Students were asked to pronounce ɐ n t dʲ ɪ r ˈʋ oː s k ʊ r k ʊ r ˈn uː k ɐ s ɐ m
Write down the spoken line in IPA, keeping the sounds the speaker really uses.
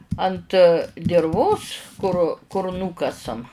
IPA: ɐ n t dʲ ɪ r ˈʋ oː s k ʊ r k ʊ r ˈn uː k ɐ s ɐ m